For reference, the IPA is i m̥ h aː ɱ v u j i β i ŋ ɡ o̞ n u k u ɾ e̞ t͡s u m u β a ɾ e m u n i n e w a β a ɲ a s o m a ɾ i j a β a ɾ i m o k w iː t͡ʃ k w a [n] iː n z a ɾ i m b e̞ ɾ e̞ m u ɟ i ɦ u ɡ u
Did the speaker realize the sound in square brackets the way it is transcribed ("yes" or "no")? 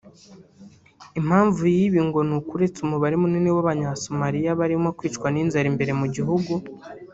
yes